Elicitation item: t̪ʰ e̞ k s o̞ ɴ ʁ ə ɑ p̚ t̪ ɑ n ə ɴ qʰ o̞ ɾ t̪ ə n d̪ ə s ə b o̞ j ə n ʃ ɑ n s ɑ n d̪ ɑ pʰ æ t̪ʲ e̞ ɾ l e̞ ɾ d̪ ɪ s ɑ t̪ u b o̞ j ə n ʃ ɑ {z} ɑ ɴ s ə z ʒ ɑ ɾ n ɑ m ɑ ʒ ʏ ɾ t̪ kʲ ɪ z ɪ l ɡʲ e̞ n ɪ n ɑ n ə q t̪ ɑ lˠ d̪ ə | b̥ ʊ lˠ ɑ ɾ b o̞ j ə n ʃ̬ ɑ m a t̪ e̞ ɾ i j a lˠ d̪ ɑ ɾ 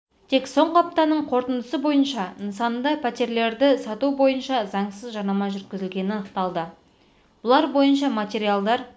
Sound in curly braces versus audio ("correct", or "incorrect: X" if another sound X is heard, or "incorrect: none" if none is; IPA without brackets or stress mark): correct